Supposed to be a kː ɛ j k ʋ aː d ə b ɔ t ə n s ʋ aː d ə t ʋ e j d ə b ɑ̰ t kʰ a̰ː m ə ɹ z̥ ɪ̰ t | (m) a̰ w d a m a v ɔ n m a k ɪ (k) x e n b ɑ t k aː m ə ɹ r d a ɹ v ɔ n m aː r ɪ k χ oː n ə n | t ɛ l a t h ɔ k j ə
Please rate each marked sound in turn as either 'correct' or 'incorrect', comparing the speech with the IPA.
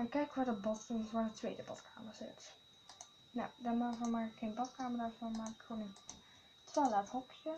incorrect: n, correct

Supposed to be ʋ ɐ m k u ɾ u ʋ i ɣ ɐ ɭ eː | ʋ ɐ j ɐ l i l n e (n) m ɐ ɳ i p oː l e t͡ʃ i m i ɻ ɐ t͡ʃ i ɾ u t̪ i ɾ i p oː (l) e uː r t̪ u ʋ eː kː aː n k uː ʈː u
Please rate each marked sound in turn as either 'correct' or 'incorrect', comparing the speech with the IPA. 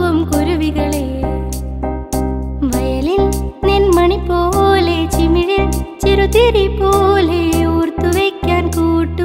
correct, correct

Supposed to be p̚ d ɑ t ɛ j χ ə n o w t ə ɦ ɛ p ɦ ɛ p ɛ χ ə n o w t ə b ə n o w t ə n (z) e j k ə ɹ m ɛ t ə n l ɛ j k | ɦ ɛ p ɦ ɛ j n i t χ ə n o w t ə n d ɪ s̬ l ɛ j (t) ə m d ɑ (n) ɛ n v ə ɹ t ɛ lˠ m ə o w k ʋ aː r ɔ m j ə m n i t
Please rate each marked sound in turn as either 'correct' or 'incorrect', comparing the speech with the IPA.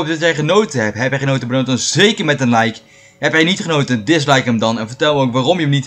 correct, incorrect: k, correct

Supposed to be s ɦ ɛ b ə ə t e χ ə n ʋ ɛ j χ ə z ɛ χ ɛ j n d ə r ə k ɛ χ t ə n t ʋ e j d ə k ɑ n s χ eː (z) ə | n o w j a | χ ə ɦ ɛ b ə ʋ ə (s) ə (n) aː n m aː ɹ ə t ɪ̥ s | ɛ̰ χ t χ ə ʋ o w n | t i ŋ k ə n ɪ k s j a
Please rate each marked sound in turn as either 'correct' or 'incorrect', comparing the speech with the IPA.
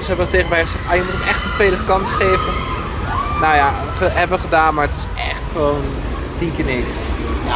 incorrect: v, incorrect: χ, incorrect: d

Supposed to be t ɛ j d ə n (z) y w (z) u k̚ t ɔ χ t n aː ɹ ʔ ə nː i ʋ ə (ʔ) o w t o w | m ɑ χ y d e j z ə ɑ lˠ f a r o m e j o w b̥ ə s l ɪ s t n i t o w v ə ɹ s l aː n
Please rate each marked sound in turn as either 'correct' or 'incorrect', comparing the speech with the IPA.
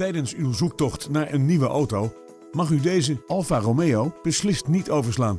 incorrect: s, correct, correct

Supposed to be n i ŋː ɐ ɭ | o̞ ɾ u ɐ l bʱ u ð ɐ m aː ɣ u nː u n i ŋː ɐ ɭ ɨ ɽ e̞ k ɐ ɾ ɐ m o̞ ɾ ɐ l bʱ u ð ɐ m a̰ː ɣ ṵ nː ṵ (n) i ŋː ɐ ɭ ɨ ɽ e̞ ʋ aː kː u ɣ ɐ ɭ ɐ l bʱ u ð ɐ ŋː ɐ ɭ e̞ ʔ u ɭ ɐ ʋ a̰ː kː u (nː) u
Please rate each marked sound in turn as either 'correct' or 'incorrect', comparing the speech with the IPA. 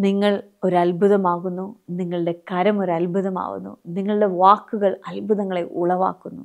correct, correct

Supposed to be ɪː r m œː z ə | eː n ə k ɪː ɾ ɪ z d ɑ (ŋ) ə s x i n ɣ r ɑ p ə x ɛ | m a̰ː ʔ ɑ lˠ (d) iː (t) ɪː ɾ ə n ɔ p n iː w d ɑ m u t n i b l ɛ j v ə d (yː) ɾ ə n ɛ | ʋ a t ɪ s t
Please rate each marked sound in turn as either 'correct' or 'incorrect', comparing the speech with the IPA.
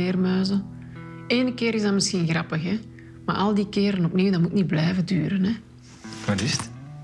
incorrect: m, correct, incorrect: k, correct

